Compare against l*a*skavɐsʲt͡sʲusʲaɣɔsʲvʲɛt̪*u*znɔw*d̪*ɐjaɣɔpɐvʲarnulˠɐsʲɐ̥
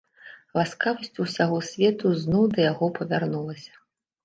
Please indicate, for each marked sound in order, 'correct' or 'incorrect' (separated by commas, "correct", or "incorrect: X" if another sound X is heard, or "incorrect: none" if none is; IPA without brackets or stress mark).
correct, correct, correct